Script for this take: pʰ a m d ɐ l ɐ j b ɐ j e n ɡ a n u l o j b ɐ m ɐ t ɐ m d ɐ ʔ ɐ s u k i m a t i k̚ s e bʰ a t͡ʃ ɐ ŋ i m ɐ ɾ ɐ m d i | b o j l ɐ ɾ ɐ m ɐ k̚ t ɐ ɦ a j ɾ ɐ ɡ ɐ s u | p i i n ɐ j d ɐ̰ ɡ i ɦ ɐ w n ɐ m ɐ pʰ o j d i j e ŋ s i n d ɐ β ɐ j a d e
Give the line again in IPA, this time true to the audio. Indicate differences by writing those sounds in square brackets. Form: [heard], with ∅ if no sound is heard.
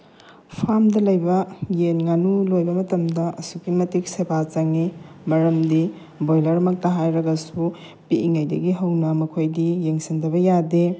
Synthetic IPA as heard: pʰ a m d ɐ l ɐ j b ɐ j e n [ŋ] a n u l o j b ɐ m ɐ t ɐ m d ɐ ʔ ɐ s u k i m [ɐ] t i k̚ s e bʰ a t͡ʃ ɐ ŋ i m ɐ ɾ ɐ m d i | b o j l ɐ ɾ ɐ m ɐ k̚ t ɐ ɦ a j ɾ ɐ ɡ ɐ s u | p i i [ŋ] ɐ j d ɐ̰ ɡ i ɦ ɐ w n ɐ m ɐ [kʰ] o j d i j e ŋ s i n d ɐ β ɐ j a d e